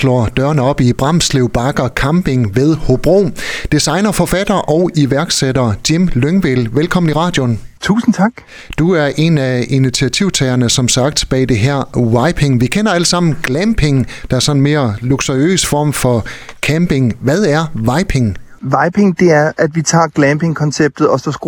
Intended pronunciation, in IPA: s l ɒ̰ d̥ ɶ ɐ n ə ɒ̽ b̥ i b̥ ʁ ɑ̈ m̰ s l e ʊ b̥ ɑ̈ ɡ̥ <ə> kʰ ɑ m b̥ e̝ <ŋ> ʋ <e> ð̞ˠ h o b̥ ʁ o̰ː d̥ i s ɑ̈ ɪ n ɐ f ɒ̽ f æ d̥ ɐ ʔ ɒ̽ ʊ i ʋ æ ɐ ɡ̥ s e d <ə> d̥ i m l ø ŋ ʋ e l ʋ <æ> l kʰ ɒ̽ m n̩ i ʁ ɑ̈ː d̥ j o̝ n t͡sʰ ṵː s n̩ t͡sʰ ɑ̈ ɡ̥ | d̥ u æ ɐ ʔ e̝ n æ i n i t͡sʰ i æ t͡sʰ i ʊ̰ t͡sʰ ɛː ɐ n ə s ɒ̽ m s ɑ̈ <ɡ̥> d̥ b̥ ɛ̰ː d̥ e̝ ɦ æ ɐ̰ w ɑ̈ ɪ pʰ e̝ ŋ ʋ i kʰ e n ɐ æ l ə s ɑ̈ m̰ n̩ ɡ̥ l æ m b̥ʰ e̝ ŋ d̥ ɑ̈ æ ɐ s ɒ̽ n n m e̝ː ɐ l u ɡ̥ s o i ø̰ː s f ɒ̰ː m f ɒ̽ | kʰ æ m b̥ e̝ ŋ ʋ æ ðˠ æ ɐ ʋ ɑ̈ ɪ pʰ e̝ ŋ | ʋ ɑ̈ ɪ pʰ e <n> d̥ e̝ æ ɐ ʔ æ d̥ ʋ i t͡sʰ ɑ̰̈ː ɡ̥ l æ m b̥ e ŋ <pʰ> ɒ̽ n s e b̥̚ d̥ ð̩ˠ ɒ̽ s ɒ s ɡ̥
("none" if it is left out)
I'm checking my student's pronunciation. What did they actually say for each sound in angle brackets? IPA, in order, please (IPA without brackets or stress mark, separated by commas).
ɐ, ŋ, e, ɐ, e, ɡ̥, ŋ, kʰ